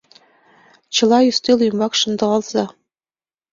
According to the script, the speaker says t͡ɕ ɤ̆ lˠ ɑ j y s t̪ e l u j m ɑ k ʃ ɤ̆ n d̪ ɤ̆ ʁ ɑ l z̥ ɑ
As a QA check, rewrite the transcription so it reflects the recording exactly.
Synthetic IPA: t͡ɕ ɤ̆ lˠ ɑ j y s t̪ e l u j m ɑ k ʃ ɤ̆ n d̪ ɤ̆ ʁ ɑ l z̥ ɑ